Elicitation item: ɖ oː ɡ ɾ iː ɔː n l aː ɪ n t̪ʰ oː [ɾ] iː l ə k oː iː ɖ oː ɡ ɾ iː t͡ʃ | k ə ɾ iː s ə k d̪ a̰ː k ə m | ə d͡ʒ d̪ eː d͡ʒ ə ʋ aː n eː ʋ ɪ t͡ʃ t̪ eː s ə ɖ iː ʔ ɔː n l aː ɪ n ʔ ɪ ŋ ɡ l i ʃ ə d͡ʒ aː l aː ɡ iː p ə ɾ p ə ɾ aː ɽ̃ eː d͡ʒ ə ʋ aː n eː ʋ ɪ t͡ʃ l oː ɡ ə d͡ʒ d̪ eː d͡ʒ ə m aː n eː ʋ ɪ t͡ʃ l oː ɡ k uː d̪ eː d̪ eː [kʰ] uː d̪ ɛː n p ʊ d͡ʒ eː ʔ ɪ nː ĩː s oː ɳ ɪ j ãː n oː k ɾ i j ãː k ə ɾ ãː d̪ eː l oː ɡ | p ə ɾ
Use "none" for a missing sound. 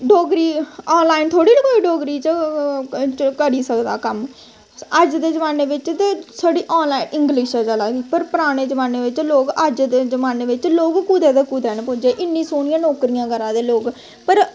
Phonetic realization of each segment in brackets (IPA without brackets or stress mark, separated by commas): ɽ, k